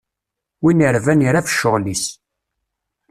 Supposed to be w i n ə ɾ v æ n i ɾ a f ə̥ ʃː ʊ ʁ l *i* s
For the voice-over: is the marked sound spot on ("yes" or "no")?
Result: yes